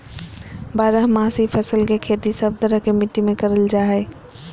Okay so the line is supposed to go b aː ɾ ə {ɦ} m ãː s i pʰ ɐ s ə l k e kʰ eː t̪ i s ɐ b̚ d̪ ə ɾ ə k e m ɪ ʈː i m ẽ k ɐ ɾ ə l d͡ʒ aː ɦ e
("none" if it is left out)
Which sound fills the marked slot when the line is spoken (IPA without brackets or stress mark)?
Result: ɦ